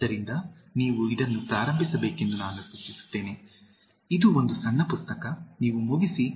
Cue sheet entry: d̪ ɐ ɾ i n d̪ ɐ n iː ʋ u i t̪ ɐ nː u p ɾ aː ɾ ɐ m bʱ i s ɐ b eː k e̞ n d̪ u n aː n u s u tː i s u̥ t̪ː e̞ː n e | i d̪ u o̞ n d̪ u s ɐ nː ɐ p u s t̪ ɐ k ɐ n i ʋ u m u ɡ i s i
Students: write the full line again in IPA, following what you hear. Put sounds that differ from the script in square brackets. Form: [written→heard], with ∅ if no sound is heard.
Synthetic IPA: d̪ ɐ ɾ i n d̪ ɐ n iː ʋ u i [t̪→d̪] ɐ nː u p ɾ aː ɾ ɐ m bʱ i s ɐ b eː k e̞ n d̪ u n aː n u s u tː i s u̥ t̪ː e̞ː n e | i d̪ u o̞ n d̪ u s ɐ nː ɐ p u s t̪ ɐ k ɐ n [i→iː] ʋ u m u ɡ i s i

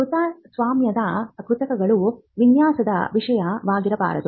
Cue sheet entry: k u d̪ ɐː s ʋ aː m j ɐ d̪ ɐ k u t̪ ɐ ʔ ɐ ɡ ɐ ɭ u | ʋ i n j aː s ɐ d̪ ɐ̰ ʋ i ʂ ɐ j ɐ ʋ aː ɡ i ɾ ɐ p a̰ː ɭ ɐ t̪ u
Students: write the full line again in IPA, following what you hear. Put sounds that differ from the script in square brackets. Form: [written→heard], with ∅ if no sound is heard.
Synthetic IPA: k u [d̪→t̪] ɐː s ʋ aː m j ɐ d̪ ɐ k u t̪ ɐ [ʔ→k] ɐ ɡ ɐ ɭ u | ʋ i n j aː s ɐ d̪ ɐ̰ ʋ i ʂ ɐ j ɐ ʋ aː ɡ i ɾ ɐ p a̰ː [ɭ→ɾ] ɐ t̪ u

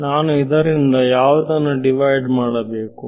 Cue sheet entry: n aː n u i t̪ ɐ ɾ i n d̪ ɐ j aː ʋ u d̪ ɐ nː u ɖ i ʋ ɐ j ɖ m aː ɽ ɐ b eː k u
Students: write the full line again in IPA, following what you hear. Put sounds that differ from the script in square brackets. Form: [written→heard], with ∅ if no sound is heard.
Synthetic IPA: n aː n u i [t̪→d̪] ɐ ɾ i n d̪ ɐ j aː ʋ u d̪ ɐ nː u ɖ i ʋ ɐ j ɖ m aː ɽ ɐ b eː k u

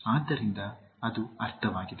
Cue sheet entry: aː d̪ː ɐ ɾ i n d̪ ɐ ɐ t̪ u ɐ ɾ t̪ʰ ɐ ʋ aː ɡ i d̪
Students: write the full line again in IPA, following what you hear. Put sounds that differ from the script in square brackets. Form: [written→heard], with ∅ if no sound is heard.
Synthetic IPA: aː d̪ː ɐ ɾ i n d̪ ɐ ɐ [t̪→d̪] u ɐ ɾ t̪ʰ ɐ ʋ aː ɡ i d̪

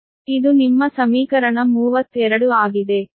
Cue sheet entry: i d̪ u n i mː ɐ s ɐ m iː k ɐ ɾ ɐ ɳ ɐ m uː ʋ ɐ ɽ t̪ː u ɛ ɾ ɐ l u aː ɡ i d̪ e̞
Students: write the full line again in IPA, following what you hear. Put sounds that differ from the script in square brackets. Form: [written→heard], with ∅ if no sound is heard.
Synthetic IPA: i d̪ u n i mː ɐ s ɐ m iː k ɐ ɾ ɐ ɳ ɐ m uː ʋ ɐ [ɽ→∅] t̪ː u ɛ ɾ ɐ [l→ɽ] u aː ɡ i d̪ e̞

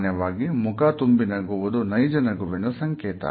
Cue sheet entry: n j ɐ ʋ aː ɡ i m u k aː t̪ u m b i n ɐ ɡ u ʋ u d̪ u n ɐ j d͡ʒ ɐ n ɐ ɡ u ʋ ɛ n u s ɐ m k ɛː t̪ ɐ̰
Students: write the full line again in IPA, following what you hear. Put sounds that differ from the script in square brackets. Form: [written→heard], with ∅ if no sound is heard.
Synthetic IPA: n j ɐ ʋ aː ɡ i m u k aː t̪ u m b i n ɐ ɡ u ʋ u d̪ u n ɐ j d͡ʒ ɐ n ɐ ɡ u ʋ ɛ n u s ɐ [m→ŋ] k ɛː t̪ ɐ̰

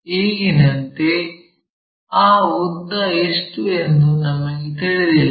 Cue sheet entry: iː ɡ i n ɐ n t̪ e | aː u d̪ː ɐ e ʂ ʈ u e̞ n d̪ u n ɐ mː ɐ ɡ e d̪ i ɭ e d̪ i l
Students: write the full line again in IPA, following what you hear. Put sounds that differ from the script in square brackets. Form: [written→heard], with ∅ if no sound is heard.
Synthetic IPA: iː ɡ i n ɐ n t̪ e | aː u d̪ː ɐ e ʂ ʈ u e̞ n d̪ u n ɐ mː ɐ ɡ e [d̪→t̪] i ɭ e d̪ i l

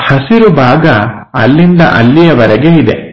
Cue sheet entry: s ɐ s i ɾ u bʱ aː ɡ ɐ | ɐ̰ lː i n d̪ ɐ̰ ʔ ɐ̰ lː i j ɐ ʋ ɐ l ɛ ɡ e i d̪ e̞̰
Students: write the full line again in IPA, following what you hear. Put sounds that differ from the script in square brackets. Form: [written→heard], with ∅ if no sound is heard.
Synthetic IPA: [s→h] ɐ s i ɾ u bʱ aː ɡ ɐ | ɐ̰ lː i n d̪ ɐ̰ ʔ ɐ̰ lː i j ɐ ʋ ɐ [l→ɾ] ɛ ɡ e i d̪ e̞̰

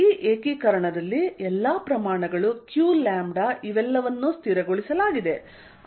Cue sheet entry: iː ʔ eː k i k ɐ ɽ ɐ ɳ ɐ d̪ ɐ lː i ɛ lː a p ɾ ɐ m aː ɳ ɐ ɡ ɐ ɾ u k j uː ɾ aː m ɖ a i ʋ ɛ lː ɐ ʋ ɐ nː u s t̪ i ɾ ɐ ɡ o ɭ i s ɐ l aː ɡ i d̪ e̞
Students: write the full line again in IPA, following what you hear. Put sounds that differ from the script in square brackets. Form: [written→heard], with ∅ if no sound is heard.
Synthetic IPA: iː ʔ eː k i k ɐ [ɽ→ɾ] ɐ ɳ ɐ d̪ ɐ lː i ɛ lː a p ɾ ɐ m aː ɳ ɐ ɡ ɐ [ɾ→ɭ] u k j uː [ɾ→l] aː m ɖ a i ʋ ɛ lː ɐ ʋ ɐ nː u s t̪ i ɾ ɐ ɡ o ɭ i s ɐ l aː ɡ i d̪ e̞

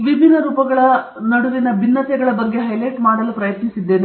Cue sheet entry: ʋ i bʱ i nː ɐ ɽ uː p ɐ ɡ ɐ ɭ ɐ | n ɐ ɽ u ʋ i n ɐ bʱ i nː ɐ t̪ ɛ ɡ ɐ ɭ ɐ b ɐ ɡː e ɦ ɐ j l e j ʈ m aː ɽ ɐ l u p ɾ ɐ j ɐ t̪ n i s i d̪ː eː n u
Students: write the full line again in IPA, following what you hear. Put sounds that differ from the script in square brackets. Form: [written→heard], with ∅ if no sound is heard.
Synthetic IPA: ʋ i bʱ i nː ɐ [ɽ→ɾ] uː p ɐ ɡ ɐ ɭ ɐ | n ɐ ɽ u ʋ i n ɐ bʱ i nː ɐ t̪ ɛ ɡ ɐ ɭ ɐ b ɐ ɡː e ɦ ɐ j l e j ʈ m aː ɽ ɐ l u p ɾ ɐ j ɐ t̪ n i s i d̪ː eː n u

